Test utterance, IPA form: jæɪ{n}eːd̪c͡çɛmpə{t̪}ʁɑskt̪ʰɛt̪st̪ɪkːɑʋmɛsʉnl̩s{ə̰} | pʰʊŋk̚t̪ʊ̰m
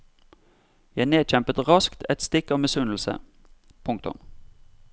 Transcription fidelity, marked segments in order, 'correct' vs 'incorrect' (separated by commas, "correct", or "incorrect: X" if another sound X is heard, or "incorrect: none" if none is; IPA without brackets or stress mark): correct, correct, correct